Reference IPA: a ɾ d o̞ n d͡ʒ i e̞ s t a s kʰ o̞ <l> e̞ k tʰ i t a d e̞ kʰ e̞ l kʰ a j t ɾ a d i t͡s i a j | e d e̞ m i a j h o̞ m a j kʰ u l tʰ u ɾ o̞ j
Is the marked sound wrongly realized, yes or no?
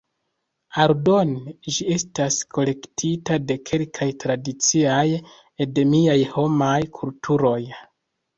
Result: no